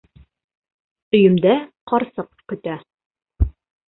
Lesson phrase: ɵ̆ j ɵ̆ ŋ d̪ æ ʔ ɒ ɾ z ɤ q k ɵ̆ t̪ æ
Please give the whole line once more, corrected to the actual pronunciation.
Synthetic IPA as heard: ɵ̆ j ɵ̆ m d̪ æ q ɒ ɾ s ɤ q k ɵ̆ t̪ æ